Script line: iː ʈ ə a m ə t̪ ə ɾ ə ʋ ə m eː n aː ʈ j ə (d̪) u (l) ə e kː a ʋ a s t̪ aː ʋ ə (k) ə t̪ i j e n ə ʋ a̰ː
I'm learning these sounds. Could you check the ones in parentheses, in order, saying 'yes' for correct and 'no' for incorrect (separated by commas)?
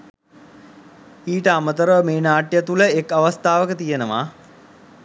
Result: no, yes, yes